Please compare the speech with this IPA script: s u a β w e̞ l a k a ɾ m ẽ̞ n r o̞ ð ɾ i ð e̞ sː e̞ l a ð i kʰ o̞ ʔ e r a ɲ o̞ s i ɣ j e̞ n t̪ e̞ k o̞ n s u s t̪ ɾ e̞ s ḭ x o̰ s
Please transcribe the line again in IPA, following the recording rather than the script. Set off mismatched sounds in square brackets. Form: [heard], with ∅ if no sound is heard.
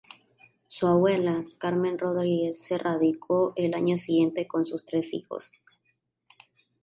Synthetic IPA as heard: s u a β w e̞ l a k a ɾ m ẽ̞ n r o̞ ð ɾ i [ɣ] e̞ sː e̞ [r] a ð i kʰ o̞ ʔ e [l] a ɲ o̞ s i ɣ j e̞ n t̪ e̞ k o̞ n s u s t̪ ɾ e̞ s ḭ x o̰ s